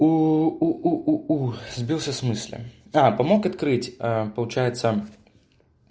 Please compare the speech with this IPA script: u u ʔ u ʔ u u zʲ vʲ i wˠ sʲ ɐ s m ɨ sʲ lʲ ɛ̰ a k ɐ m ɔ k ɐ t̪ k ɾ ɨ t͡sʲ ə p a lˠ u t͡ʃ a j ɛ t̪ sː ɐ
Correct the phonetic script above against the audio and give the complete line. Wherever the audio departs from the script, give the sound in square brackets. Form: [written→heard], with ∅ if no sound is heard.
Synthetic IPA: u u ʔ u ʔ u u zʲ [vʲ→bʲ] i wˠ sʲ ɐ s m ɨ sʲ lʲ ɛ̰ a [k→p] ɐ m ɔ k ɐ t̪ k ɾ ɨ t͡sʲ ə p [a→ɐ] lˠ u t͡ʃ a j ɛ t̪ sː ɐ